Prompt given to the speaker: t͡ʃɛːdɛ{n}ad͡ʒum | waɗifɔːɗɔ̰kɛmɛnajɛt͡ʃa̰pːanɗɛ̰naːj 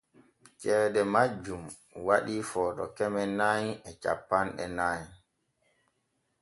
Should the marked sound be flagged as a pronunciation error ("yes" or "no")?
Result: yes